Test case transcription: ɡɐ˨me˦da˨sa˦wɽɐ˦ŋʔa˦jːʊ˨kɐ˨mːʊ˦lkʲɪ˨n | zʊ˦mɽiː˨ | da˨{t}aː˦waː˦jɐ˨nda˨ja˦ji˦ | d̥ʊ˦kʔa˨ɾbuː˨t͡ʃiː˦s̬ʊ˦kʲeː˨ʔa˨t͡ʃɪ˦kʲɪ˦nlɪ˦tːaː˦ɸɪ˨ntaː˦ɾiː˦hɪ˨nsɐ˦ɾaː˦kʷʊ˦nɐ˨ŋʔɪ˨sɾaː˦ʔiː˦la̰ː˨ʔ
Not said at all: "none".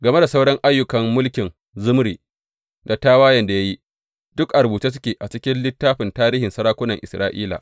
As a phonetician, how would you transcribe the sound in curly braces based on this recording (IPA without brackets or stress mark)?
t